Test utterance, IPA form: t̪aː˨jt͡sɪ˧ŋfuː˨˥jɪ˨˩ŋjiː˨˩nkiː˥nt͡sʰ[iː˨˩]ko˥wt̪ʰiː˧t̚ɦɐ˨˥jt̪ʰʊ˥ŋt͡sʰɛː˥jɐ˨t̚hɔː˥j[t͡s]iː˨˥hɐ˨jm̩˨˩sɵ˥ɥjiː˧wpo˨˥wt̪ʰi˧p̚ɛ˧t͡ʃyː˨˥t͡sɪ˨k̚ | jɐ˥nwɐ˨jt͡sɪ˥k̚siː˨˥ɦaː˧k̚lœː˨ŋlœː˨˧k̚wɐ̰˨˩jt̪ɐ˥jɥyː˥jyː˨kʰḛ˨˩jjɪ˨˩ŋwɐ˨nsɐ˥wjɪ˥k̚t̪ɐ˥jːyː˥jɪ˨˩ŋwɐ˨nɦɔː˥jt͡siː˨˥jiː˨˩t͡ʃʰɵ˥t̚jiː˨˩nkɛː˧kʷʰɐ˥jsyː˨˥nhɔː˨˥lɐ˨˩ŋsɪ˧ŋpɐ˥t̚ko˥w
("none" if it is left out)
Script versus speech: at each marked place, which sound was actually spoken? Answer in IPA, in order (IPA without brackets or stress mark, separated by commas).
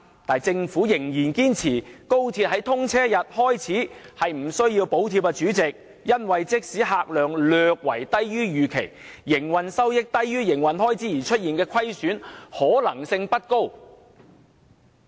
iː˨˩, t͡sʰ